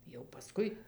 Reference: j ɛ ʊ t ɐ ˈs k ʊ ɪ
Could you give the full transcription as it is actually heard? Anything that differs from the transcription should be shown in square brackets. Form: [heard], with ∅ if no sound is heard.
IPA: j ɛ ʊ [p] ɐ ˈs k ʊ ɪ